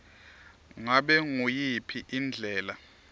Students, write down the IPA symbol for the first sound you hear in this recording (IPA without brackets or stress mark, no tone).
ŋ